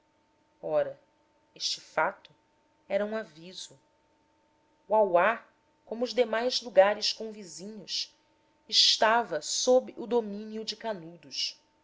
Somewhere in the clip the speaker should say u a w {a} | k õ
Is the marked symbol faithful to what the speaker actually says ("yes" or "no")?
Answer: yes